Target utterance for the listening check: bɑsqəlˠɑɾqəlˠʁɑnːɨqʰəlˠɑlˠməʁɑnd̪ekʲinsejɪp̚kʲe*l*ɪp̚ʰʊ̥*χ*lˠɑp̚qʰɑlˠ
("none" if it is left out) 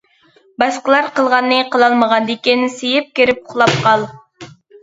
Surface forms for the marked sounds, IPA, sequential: ɾ, χ

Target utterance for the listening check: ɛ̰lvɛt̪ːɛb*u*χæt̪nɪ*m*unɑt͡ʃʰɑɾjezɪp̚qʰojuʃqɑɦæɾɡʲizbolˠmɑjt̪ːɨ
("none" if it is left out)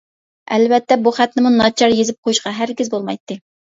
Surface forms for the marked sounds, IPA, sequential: u, m

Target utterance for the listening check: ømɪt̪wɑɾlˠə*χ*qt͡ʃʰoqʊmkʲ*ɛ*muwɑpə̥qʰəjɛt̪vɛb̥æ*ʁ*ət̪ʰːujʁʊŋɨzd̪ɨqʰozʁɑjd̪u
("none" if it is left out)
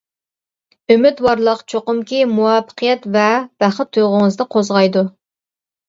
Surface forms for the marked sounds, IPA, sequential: none, i, χ

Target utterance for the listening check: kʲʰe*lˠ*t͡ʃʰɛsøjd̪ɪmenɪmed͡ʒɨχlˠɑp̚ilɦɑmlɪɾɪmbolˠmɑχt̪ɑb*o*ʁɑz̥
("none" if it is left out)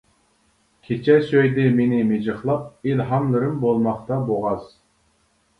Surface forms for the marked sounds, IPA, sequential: none, o

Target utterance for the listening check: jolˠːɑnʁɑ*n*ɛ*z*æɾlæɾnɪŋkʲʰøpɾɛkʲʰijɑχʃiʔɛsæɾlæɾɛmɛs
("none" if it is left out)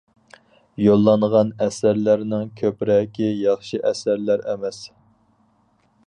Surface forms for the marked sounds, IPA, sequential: n, s

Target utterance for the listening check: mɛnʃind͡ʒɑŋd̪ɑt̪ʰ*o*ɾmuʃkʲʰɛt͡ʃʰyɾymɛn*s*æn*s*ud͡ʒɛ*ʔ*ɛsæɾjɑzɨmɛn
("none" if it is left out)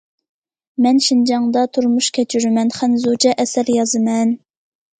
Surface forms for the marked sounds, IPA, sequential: u, χ, z, ʔ

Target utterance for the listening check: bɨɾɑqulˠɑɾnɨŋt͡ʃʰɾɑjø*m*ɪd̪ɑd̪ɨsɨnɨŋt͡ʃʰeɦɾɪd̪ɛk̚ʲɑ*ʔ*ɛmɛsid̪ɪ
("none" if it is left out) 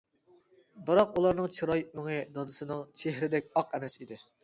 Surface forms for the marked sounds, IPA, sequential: ŋ, q

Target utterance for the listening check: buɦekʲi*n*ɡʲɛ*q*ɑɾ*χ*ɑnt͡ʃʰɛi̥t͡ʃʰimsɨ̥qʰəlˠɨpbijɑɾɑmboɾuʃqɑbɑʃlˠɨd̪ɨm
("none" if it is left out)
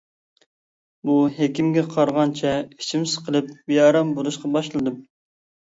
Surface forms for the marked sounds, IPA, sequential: m, qʰ, ʁ

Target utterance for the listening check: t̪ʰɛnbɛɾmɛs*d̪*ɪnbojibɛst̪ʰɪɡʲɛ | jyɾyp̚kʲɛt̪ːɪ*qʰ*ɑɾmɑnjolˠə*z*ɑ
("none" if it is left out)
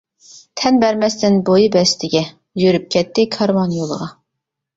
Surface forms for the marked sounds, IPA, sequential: t̪, kʰ, ʁ

